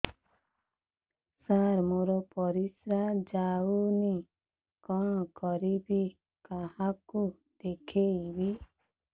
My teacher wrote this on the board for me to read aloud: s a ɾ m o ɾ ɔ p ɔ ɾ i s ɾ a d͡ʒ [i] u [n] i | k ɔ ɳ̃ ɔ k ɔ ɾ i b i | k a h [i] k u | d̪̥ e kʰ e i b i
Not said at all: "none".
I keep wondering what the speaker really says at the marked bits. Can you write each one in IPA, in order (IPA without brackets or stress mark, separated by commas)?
a, n, a